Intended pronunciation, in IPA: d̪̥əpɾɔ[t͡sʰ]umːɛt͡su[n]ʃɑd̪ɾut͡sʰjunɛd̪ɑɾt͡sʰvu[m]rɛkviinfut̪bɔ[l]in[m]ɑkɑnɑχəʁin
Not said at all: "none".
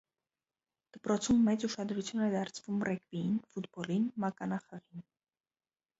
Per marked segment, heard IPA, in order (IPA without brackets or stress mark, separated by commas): t͡sʰ, none, m, l, m